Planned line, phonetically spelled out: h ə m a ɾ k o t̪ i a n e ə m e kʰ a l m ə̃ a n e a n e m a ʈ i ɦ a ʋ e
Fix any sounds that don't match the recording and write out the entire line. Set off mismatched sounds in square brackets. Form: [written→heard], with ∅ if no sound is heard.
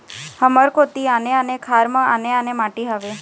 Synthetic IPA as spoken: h ə m [a→ə] ɾ k o t̪ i a n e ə [m→n] e kʰ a [l→ɾ] m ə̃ a n e a n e m a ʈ i ɦ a ʋ e